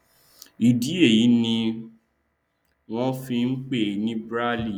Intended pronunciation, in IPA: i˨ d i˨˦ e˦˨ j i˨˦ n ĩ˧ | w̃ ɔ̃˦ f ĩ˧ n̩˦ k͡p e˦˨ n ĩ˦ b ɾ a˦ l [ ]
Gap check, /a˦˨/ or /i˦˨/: i˦˨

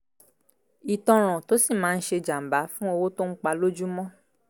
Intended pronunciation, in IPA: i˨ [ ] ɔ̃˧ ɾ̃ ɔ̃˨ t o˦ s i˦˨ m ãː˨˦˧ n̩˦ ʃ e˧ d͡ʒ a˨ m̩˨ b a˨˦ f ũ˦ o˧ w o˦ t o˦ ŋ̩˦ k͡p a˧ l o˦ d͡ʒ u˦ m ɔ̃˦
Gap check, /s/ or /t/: t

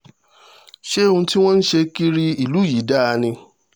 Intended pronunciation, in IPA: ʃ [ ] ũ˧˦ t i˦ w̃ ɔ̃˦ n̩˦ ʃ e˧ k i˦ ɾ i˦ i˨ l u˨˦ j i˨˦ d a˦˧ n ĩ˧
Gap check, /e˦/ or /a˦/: e˦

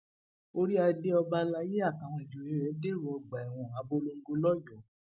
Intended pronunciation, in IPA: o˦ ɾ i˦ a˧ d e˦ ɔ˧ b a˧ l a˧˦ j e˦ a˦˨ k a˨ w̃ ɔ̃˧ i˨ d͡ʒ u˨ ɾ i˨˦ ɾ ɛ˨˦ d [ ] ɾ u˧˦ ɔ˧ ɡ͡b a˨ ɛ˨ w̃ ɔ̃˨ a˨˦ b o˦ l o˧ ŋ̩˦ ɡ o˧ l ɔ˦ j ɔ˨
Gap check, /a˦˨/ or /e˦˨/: e˦˨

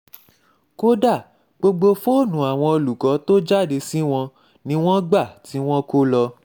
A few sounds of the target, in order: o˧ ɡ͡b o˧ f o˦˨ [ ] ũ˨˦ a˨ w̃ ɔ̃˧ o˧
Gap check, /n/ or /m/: n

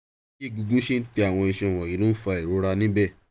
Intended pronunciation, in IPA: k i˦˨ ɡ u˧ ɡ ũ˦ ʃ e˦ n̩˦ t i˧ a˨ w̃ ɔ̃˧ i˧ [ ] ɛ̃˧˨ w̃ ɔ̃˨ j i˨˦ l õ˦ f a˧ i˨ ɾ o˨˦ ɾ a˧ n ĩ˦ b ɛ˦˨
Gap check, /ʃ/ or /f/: ʃ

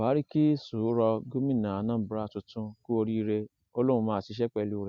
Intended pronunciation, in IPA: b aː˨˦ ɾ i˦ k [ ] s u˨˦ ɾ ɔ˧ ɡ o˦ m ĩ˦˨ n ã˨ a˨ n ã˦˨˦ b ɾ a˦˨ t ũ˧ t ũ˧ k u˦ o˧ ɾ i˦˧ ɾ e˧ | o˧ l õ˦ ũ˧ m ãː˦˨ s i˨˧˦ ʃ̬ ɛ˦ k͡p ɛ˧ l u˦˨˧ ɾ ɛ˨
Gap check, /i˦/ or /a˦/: i˦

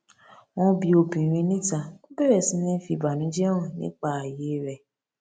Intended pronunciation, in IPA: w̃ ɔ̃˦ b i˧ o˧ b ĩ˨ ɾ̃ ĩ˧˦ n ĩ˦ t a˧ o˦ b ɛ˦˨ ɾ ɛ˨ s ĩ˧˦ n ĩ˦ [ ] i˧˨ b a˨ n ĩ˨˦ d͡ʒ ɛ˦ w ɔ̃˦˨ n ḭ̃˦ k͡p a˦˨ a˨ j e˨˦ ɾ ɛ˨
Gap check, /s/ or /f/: f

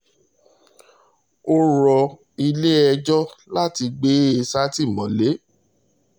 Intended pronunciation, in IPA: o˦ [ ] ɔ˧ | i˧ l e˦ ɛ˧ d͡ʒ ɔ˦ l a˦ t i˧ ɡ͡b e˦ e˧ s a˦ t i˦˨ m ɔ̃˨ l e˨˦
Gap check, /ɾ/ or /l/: ɾ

